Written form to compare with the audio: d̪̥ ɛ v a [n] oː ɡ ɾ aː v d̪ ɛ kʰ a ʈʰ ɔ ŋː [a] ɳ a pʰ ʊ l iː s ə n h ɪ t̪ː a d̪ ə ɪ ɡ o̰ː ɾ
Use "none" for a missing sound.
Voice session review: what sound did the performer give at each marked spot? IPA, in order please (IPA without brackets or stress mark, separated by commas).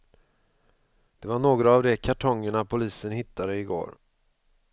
ɳ, ə